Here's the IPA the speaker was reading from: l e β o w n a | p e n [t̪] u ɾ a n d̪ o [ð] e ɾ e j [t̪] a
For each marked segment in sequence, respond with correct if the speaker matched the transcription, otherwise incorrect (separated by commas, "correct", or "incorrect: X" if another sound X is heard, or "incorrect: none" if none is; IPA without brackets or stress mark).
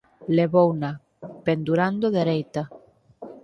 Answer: incorrect: d̪, correct, correct